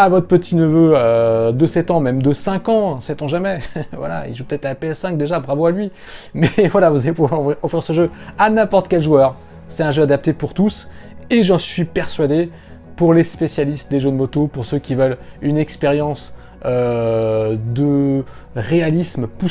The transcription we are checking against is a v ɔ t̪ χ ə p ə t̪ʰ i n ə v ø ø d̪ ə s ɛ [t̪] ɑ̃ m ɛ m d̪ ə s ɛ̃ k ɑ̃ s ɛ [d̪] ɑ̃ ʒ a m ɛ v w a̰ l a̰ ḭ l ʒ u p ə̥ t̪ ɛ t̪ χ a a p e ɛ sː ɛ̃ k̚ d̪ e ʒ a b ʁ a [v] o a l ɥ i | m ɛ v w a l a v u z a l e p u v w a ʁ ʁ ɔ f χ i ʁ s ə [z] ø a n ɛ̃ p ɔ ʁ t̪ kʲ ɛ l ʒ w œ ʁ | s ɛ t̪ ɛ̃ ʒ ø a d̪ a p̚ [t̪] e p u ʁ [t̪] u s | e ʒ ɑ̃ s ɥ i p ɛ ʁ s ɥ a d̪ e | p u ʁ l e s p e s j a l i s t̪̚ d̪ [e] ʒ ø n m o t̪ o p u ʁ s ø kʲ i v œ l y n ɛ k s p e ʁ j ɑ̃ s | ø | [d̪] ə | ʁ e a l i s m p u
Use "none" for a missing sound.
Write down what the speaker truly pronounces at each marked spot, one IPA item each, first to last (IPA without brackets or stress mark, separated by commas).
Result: t̪, t̪, v, ʒ, t̪, t̪, e, d̪